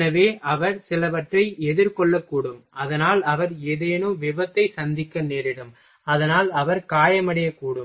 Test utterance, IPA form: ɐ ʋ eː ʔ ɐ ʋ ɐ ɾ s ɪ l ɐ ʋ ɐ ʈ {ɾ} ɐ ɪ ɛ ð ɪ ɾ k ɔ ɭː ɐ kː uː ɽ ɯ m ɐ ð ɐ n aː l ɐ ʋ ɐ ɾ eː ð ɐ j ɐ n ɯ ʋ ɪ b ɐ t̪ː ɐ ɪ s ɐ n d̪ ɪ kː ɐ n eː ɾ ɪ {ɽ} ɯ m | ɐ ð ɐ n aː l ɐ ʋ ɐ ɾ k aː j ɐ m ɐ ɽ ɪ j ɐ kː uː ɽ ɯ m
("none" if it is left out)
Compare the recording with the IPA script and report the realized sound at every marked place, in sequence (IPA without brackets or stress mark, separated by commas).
r, ɽ